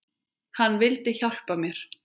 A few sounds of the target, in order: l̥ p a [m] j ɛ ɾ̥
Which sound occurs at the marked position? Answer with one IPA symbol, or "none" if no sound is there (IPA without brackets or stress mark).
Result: m